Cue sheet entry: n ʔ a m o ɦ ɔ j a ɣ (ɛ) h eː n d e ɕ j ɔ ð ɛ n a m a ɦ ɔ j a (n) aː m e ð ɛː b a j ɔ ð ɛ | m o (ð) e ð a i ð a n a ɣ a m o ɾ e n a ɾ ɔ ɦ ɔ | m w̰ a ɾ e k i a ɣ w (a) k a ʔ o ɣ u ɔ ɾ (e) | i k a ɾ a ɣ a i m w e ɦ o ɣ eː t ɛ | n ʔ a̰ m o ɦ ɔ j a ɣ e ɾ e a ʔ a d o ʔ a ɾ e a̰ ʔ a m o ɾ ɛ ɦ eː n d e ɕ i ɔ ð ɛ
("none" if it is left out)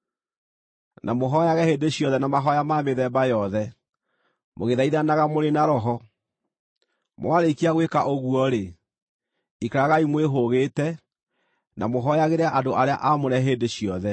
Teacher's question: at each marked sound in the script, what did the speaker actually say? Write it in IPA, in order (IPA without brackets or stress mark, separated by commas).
ɛ, m, ɣ, e, e